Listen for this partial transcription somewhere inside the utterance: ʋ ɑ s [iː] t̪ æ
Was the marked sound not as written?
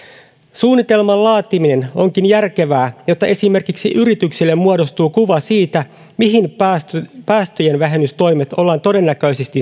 no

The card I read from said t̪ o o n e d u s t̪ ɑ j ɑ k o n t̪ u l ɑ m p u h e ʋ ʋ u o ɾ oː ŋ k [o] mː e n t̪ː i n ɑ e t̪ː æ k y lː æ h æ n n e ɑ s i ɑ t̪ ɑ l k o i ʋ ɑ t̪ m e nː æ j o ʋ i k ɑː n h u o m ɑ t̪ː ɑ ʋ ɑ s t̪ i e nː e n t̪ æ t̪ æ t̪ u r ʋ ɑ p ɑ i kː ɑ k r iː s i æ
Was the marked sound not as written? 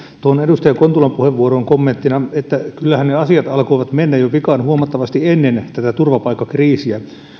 no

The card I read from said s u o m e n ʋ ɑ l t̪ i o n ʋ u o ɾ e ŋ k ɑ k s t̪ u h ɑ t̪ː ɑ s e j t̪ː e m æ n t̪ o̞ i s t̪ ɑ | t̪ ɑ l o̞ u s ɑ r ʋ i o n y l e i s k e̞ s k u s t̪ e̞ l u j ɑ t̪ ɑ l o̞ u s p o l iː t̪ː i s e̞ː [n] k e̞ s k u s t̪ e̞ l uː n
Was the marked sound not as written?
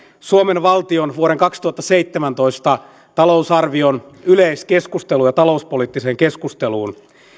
yes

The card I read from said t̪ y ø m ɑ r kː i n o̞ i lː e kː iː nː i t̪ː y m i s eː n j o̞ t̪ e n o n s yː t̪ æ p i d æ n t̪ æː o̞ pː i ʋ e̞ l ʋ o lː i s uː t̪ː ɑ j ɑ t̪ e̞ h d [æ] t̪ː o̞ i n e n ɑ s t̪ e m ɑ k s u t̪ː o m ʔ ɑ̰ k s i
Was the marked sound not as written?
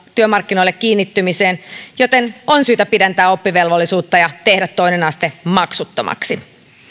no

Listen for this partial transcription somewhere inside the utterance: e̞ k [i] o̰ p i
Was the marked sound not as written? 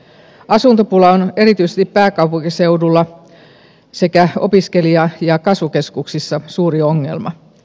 yes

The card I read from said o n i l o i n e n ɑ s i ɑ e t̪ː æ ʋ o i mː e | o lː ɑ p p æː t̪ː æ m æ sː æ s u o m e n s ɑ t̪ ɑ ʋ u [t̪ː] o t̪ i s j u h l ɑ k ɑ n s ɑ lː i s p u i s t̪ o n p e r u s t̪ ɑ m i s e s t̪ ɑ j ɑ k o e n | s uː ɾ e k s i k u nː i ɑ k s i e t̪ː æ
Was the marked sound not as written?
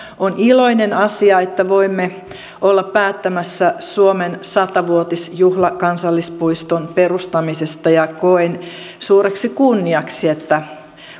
yes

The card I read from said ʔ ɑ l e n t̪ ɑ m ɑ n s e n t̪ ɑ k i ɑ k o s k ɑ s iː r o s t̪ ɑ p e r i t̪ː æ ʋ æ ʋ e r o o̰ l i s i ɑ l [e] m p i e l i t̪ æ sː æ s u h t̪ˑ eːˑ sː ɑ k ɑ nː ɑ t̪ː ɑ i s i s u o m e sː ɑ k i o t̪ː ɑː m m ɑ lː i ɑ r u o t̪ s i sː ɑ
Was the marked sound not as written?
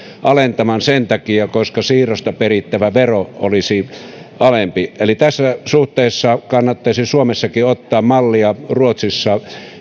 no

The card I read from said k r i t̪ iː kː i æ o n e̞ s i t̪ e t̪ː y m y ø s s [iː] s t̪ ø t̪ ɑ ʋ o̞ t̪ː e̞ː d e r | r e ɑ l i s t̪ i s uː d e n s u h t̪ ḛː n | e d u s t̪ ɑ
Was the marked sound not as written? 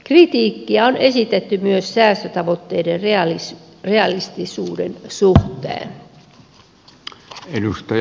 yes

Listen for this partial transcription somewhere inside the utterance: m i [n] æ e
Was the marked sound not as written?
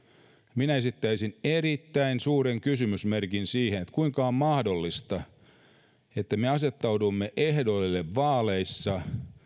no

